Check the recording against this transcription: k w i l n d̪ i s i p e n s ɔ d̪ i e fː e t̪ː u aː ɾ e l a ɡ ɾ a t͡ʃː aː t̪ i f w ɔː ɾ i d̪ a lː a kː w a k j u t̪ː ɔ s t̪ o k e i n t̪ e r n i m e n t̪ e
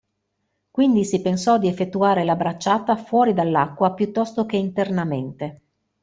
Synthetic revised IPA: k w i n d̪ i s i p e n s ɔ d̪ i e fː e t̪ː u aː ɾ e l a b ɾ a t͡ʃː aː t̪ a f w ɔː ɾ i d̪ a lː a kː w a p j u t̪ː ɔ s t̪ o k e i n t̪ e r n a m e n t̪ e